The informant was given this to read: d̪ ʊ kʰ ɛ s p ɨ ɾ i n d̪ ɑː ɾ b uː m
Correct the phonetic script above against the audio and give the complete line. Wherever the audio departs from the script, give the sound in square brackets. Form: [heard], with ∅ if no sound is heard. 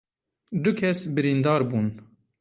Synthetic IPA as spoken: d̪ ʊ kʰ ɛ s [b] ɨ ɾ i n d̪ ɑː ɾ b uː [n]